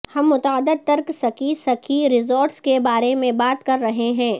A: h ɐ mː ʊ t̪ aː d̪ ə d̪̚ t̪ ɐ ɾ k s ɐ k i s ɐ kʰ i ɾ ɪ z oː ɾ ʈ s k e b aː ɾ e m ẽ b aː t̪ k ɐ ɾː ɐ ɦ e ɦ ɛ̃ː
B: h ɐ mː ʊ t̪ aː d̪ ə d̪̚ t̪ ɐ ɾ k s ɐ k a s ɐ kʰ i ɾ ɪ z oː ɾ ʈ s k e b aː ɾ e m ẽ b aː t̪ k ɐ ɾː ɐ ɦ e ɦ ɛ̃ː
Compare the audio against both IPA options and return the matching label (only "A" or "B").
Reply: A